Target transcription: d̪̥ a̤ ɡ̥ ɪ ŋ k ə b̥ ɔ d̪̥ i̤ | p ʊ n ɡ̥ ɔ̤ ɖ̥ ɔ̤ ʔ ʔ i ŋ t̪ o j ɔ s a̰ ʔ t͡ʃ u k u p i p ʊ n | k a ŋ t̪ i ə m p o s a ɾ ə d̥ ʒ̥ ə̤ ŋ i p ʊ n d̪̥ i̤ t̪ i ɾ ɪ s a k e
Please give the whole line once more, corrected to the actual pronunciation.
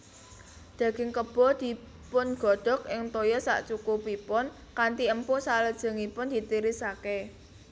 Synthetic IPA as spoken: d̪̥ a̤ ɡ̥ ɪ ŋ k ə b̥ ɔ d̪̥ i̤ | p ʊ n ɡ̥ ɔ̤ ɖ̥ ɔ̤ k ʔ ɪ ŋ t̪ o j ɔ s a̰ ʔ t͡ʃ u k u p i p ʊ n | k a n t̪ i ə m p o s a l ə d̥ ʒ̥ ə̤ ŋ i p ʊ n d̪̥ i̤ t̪ i ɾ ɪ s a k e